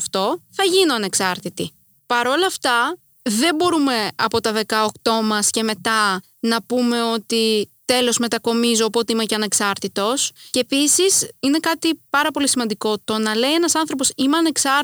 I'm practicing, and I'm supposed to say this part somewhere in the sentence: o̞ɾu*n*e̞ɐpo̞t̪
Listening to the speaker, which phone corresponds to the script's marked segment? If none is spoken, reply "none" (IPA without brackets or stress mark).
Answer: m